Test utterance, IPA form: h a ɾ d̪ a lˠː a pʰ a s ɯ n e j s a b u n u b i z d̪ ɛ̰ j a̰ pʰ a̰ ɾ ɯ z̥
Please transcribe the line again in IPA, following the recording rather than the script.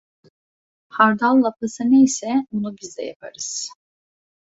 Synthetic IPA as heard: h a ɾ d̪ a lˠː a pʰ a s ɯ n e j s ɛ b u n u b i z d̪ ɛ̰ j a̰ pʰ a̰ ɾ ɯ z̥